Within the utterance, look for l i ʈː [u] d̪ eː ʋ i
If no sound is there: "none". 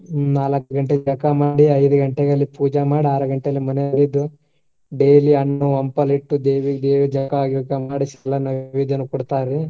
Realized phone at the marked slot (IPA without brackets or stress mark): u